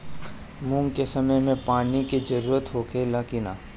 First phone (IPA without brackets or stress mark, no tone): m